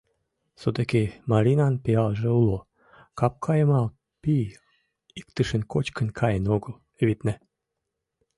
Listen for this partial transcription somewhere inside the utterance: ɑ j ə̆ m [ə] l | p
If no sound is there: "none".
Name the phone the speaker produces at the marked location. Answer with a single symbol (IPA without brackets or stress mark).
ɑ